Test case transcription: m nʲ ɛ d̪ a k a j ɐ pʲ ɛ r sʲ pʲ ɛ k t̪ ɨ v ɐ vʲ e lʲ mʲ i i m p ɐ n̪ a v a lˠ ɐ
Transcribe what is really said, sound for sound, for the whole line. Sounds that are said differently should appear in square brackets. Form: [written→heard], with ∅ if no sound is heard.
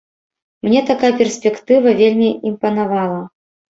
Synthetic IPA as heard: m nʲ ɛ [d̪→t̪] a k a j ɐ pʲ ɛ r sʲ pʲ ɛ k t̪ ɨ v ɐ vʲ e lʲ mʲ i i m p ɐ n̪ a v a lˠ ɐ

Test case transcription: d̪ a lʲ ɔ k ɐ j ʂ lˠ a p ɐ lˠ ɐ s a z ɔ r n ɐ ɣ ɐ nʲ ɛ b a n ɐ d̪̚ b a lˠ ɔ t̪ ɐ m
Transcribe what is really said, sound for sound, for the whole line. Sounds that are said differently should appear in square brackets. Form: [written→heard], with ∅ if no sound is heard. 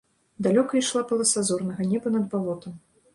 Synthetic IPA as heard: d̪ a lʲ ɔ k ɐ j ʂ lˠ a p ɐ lˠ ɐ s a z ɔ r n ɐ ɣ ɐ nʲ ɛ b [a→ɐ] n ɐ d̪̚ b a lˠ ɔ t̪ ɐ m

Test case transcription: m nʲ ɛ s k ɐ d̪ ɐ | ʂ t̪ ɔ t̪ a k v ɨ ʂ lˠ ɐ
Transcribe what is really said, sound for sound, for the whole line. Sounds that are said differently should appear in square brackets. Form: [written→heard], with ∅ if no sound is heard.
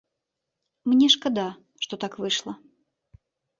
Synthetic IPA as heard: m nʲ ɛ [s→ʂ] k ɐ d̪ [ɐ→a] | ʂ t̪ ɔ t̪ a k v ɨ ʂ lˠ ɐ

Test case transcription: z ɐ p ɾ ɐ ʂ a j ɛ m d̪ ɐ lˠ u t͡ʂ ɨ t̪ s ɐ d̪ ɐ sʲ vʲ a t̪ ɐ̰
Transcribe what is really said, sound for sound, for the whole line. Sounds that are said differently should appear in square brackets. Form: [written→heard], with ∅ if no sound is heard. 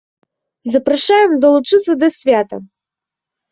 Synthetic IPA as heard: z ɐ p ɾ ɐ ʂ a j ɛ m d̪ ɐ lˠ u t͡ʂ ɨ t̪ s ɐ d̪ ɐ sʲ vʲ a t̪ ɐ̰

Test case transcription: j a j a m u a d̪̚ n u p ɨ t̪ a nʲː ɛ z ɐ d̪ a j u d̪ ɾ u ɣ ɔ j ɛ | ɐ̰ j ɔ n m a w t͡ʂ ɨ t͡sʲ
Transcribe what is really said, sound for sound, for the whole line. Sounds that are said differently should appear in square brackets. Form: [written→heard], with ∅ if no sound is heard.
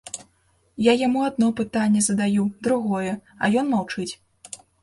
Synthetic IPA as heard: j a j a m u a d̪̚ n [u→ɔ] p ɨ t̪ a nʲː ɛ z ɐ d̪ a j u d̪ ɾ u ɣ ɔ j ɛ | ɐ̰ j ɔ n m a w t͡ʂ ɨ t͡sʲ

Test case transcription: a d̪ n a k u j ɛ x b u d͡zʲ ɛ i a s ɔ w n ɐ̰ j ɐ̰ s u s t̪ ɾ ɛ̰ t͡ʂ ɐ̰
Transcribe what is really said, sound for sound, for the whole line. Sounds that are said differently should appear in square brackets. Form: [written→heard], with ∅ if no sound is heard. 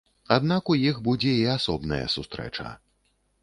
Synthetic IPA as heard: a d̪ n a k u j [ɛ→i] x b u d͡zʲ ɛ i a s ɔ [w→b] n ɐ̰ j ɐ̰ s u s t̪ ɾ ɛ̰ t͡ʂ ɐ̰

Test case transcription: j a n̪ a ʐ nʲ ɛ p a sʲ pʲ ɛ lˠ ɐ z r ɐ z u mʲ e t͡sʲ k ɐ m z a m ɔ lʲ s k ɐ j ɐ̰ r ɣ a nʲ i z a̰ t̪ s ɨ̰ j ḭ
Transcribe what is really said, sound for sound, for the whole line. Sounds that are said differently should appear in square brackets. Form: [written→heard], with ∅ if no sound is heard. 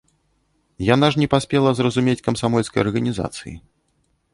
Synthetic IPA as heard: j a n̪ a ʐ nʲ ɛ p a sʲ pʲ ɛ lˠ ɐ z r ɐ z u mʲ e t͡sʲ k ɐ m [z→s] a m ɔ lʲ s k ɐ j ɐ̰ r ɣ [a→ɐ] nʲ i z a̰ t̪ s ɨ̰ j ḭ

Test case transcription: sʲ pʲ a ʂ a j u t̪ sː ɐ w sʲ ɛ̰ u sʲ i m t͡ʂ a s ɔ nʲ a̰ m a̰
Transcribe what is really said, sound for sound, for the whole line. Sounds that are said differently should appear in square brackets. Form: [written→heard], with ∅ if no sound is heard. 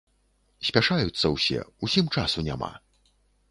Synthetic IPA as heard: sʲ pʲ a ʂ a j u t̪ sː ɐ w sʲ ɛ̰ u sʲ i m t͡ʂ a s [ɔ→u] nʲ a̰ m a̰

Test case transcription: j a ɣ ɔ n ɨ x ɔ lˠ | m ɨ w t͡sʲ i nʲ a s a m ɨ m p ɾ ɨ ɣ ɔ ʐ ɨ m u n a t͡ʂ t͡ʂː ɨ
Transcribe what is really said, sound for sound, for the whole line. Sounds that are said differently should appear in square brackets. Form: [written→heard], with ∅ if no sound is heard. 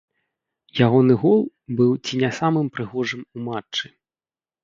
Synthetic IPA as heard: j a ɣ ɔ n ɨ [x→ɣ] ɔ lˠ | [m→b] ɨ w t͡sʲ i nʲ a s a m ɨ m p ɾ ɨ ɣ ɔ ʐ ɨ m u [n→m] a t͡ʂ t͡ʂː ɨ

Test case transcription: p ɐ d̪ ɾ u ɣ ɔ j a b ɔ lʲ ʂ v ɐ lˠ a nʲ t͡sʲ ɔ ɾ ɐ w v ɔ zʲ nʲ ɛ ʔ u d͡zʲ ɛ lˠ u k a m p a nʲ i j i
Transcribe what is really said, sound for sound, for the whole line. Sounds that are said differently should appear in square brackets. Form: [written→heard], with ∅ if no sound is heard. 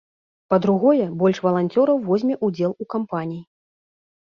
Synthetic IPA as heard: p ɐ d̪ ɾ u ɣ ɔ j [a→ɛ] b ɔ lʲ ʂ v ɐ lˠ a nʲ t͡sʲ ɔ ɾ ɐ w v ɔ zʲ [nʲ→mʲ] ɛ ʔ u d͡zʲ ɛ lˠ u k a m p a nʲ i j i

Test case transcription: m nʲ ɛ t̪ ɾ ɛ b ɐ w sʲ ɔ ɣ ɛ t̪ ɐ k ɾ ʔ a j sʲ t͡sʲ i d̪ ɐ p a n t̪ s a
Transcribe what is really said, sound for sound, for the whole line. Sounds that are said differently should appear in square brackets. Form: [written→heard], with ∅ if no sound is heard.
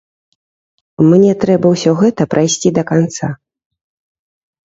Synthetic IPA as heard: m nʲ ɛ t̪ ɾ ɛ b ɐ w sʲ ɔ ɣ ɛ t̪ ɐ [k→p] ɾ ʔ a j sʲ t͡sʲ i d̪ ɐ [p→k] a n t̪ s a

